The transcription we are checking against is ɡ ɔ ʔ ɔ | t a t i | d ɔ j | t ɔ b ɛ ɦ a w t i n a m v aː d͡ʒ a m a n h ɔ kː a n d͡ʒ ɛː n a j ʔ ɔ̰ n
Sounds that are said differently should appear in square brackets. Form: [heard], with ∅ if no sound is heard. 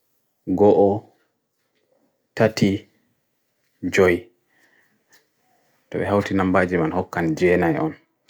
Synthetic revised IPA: ɡ ɔ ʔ ɔ | t a t i | [d͡ʒ] ɔ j | t ɔ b ɛ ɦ a w t i n a m [b] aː d͡ʒ [i] m a n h ɔ kː a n d͡ʒ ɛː n a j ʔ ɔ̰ n